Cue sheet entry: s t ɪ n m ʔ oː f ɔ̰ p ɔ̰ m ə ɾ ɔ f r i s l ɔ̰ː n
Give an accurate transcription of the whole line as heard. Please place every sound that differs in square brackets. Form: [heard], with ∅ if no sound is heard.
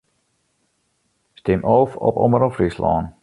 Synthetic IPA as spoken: s t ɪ [∅] m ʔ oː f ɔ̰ p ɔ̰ m ə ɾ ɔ f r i s l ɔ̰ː n